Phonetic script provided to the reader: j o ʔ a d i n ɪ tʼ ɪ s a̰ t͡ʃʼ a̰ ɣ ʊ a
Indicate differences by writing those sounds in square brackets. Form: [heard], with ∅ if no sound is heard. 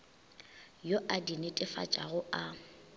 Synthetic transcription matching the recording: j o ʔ a d i n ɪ tʼ ɪ [f] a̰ t͡ʃʼ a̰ ɣ ʊ a

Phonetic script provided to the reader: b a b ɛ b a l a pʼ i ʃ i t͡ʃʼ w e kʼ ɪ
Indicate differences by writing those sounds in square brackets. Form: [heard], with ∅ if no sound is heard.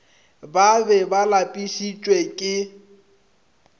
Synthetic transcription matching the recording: b a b ɛ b a l a pʼ i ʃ i t͡ʃʼ w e kʼ ɪ

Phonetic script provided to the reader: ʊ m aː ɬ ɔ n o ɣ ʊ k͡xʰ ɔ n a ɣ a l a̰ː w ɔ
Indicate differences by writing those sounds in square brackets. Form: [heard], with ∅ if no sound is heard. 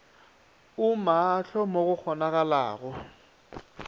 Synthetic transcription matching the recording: ʊ m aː ɬ ɔ [m] o ɣ ʊ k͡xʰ ɔ n a ɣ a l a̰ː [ɣ] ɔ

